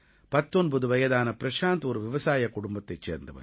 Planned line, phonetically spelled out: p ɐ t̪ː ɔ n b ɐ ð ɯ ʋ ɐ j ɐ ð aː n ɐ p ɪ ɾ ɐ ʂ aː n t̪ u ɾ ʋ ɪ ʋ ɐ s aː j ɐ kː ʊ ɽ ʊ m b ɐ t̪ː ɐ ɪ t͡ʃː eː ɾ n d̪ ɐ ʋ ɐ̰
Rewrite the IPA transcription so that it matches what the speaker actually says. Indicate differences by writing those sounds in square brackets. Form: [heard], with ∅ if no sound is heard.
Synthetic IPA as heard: p ɐ t̪ː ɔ n b ɐ ð ɯ ʋ ɐ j ɐ ð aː n ɐ p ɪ ɾ ɐ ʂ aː n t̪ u ɾ ʋ ɪ ʋ ɐ s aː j ɐ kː ʊ ɽ ʊ m b ɐ t̪ː ɐ ɪ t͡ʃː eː ɾ n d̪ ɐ ʋ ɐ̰